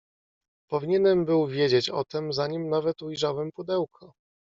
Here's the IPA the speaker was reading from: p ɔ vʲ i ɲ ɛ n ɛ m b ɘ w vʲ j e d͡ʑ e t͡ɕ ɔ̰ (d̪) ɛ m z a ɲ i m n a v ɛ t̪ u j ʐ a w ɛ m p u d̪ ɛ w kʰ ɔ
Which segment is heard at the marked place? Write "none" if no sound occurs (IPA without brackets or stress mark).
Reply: t̪